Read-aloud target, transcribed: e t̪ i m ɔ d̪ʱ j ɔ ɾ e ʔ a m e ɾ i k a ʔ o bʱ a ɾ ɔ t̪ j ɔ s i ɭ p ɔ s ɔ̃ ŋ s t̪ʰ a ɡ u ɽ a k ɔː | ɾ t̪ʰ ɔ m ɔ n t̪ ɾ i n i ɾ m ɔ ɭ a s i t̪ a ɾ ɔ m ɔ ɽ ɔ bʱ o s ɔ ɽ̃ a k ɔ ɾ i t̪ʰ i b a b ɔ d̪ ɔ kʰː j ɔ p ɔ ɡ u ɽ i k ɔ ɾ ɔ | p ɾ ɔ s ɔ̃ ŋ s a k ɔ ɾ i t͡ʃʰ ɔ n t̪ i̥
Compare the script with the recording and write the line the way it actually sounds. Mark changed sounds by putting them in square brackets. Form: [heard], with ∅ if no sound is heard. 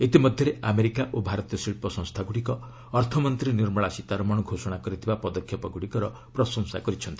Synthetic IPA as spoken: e t̪ i m ɔ d̪ʱ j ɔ ɾ e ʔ a m e ɾ i k a ʔ o bʱ a ɾ ɔ t̪ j ɔ s i ɭ p ɔ s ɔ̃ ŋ s t̪ʰ a ɡ u ɽ [i] k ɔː | ɾ t̪ʰ ɔ m ɔ n t̪ ɾ i n i ɾ m ɔ ɭ a s i t̪ a ɾ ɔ m ɔ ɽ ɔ [ɡʱ] o s ɔ ɽ̃ a k ɔ ɾ i t̪ʰ i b a [p] ɔ d̪ ɔ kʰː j ɔ p ɔ ɡ u ɽ i k ɔ ɾ ɔ | p ɾ ɔ s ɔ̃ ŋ s a k ɔ ɾ i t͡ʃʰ ɔ n t̪ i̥

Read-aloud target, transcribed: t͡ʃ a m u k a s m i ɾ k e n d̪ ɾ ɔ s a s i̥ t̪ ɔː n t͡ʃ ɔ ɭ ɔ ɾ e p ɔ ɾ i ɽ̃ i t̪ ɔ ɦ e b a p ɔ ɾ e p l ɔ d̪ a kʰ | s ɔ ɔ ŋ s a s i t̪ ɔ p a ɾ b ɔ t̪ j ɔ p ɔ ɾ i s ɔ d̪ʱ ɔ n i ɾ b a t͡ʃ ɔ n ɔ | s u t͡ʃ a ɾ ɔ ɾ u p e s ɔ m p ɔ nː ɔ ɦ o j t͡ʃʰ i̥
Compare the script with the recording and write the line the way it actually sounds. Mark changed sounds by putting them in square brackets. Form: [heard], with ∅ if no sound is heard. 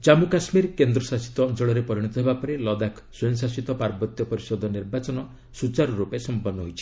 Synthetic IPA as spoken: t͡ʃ a m u k a s m i ɾ k e n d̪ ɾ ɔ s a s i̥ t̪ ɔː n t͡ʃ ɔ ɭ ɔ ɾ e p ɔ ɾ i ɽ̃ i t̪ ɔ ɦ e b a p ɔ ɾ e [∅] l ɔ d̪ a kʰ | s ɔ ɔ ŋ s a s i t̪ ɔ p a ɾ b ɔ t̪ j ɔ p ɔ ɾ i s ɔ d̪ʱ ɔ n i ɾ b a t͡ʃ ɔ n ɔ | s u t͡ʃ a ɾ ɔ ɾ u p e s ɔ m p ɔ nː ɔ ɦ o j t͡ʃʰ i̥

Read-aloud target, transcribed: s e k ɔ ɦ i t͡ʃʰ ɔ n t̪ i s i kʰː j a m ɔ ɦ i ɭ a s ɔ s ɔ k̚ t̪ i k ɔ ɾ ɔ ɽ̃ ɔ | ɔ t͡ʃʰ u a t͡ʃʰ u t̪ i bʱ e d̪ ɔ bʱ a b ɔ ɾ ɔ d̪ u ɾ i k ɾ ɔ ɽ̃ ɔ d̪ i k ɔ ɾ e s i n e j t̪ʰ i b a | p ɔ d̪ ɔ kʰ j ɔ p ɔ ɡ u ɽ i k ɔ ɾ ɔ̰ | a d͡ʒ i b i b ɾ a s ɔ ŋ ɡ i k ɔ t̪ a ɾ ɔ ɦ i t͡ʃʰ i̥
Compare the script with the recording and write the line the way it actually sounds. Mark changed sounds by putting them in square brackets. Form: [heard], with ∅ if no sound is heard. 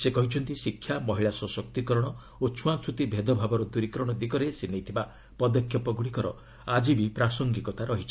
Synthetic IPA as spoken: s e k ɔ ɦ i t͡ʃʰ ɔ n t̪ i s i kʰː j a m ɔ ɦ i ɭ a s ɔ s ɔ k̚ t̪ i k ɔ ɾ ɔ ɽ̃ ɔ | [o] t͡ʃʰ u a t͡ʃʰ u t̪ i bʱ e d̪ ɔ bʱ a b ɔ ɾ ɔ d̪ u ɾ i k ɾ ɔ ɽ̃ ɔ d̪ i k ɔ ɾ e s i n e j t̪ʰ i b a | p ɔ d̪ ɔ kʰ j ɔ p ɔ ɡ u ɽ i k ɔ ɾ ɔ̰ | a d͡ʒ i b i [p] ɾ a s ɔ ŋ ɡ i k ɔ t̪ a ɾ ɔ ɦ i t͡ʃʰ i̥

